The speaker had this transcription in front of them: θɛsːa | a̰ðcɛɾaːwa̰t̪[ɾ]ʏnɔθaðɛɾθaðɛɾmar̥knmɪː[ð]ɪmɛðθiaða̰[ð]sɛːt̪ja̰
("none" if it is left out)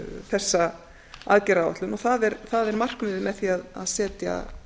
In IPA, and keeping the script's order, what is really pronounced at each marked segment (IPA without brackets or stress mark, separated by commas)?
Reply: l, ð, ð